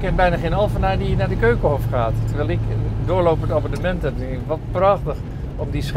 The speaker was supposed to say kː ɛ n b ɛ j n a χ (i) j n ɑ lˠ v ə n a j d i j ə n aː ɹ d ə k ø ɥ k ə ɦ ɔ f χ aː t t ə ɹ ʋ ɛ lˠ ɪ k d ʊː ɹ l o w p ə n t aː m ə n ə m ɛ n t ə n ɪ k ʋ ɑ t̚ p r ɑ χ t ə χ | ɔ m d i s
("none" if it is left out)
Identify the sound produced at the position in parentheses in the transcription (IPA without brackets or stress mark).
e